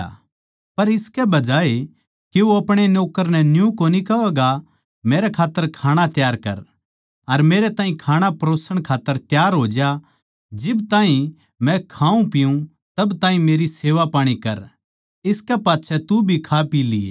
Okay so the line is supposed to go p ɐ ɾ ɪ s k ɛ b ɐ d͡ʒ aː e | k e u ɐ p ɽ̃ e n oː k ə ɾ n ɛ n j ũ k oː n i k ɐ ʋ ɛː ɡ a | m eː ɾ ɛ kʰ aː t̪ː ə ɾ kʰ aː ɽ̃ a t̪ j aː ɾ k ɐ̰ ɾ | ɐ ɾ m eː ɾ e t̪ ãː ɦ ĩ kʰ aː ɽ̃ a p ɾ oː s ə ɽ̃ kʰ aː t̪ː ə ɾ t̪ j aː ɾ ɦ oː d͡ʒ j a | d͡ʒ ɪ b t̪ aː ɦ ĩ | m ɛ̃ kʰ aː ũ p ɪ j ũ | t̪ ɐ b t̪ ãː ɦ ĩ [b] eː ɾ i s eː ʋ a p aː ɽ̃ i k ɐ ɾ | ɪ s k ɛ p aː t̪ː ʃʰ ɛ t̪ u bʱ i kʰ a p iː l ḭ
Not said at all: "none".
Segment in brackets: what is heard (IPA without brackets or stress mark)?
m